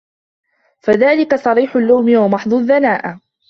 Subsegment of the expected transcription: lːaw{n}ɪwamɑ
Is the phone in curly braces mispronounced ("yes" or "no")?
yes